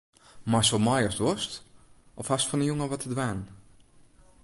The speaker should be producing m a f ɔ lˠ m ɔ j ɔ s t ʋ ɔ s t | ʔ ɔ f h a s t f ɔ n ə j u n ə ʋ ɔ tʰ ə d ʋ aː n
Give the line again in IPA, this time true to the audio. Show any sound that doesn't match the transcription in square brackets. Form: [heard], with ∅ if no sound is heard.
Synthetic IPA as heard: m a [s] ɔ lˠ m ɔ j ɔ s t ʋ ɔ s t | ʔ ɔ f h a s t f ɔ n ə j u [ŋ] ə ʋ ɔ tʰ ə d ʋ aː n